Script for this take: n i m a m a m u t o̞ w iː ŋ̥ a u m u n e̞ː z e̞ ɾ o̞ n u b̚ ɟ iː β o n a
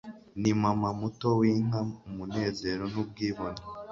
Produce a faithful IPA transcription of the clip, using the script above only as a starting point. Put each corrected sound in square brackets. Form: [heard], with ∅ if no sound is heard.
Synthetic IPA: n i m a m a m u t o̞ w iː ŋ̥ a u m u n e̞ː z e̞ ɾ o̞ n u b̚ [ɡ] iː β o n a